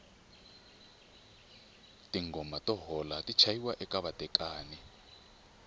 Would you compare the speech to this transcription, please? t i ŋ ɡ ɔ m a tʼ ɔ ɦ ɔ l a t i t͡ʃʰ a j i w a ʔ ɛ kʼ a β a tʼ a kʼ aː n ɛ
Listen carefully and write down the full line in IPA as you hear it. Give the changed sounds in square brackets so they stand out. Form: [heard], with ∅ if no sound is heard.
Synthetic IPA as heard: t i ŋ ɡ ɔ m a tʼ ɔ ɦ ɔ l a t i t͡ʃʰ a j i w a ʔ ɛ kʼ a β a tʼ [ɛ] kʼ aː n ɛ